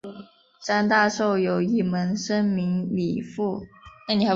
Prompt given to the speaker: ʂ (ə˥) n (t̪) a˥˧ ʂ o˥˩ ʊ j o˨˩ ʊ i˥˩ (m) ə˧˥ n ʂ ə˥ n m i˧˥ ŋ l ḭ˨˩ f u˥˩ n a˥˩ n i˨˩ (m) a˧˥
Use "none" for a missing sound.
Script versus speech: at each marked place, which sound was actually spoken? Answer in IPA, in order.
a˥, t̪, m, none

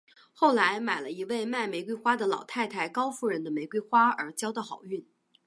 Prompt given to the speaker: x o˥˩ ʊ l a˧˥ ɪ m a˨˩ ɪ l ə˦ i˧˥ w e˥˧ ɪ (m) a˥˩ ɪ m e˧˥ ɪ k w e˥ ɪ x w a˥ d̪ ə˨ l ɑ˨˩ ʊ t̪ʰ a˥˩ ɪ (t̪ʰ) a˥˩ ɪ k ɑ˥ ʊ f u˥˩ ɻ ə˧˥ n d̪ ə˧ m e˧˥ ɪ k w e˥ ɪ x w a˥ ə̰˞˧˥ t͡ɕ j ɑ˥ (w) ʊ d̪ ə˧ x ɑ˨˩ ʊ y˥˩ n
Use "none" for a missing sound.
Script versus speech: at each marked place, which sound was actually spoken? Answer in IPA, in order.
m, t̪ʰ, none

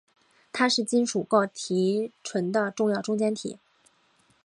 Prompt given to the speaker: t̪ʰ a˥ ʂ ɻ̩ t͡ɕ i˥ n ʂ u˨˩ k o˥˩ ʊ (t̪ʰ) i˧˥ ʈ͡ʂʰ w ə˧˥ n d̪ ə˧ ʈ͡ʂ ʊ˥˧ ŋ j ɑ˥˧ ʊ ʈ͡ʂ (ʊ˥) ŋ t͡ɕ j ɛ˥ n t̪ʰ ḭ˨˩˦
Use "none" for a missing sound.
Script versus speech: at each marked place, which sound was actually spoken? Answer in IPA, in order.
t̪ʰ, ʊ˥

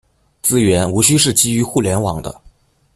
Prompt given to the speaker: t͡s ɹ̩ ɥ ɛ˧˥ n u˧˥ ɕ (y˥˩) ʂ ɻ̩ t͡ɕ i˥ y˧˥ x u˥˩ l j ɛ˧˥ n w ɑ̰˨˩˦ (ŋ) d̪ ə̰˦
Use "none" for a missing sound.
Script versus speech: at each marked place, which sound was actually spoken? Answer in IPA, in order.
y˥, ŋ

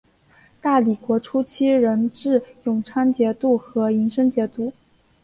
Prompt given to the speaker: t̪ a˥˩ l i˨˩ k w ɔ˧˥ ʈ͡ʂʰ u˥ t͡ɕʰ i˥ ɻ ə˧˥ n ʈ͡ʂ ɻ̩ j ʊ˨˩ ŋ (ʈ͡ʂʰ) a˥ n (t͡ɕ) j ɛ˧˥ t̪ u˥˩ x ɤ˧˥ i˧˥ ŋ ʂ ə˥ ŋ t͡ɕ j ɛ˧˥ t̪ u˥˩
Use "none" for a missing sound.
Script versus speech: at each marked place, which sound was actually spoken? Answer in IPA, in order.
ʈ͡ʂʰ, t͡ɕ

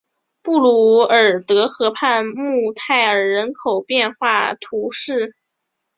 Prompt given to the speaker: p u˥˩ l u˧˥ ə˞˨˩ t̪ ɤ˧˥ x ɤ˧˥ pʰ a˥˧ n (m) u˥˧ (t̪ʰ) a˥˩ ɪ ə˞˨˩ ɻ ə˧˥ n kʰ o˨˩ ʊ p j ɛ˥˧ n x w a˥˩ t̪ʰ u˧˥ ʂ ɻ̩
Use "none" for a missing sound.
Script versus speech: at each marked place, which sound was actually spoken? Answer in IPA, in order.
m, t̪ʰ

